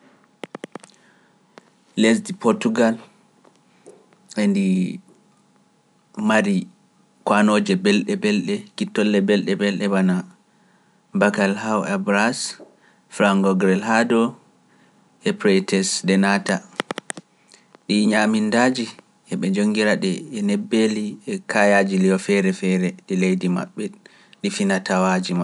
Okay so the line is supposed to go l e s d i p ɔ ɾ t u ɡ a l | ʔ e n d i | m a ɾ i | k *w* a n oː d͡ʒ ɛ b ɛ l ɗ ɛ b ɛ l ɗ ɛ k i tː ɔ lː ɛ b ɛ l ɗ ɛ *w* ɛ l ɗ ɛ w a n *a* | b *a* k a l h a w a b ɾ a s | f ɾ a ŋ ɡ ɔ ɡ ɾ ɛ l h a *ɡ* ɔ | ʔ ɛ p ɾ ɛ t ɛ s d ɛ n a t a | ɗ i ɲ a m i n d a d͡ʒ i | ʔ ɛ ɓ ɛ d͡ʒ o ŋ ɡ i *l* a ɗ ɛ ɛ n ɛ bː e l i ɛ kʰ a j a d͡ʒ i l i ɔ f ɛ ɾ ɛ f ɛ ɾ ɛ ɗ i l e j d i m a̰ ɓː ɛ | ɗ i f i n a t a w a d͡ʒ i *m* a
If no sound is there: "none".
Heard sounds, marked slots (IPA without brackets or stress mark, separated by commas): w, b, a, a, d, ɾ, m